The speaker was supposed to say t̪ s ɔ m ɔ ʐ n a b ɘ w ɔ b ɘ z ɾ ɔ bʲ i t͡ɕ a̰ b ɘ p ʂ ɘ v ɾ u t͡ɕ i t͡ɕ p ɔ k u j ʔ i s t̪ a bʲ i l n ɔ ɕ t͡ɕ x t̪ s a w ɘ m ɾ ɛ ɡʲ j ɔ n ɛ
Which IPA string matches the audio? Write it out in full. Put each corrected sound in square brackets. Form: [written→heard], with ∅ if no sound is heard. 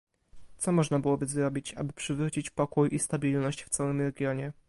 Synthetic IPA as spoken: t̪ s ɔ m ɔ ʐ n a b ɘ w ɔ b ɘ z ɾ ɔ bʲ i t͡ɕ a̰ b ɘ p ʂ ɘ v ɾ u t͡ɕ i t͡ɕ p ɔ k u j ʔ i s t̪ a bʲ i l n ɔ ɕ t͡ɕ [x→f] t̪ s a w ɘ m ɾ ɛ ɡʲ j ɔ [n→ɲ] ɛ